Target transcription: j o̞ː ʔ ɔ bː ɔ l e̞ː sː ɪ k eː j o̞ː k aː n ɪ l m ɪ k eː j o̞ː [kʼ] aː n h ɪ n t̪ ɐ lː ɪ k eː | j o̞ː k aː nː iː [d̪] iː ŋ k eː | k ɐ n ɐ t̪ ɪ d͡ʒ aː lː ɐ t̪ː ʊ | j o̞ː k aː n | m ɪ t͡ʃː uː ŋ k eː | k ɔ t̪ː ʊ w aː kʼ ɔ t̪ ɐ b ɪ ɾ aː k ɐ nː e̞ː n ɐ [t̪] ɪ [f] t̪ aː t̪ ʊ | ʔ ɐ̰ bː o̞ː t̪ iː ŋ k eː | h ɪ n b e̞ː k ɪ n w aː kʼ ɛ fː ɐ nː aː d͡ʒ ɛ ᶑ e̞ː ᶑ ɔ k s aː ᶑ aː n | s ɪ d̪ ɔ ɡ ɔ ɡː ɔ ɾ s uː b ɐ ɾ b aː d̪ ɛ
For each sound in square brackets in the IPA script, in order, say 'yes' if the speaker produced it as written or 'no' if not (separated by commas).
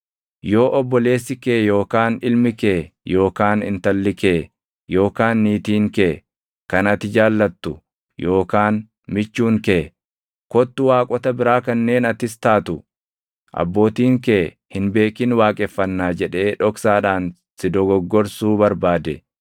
no, no, yes, no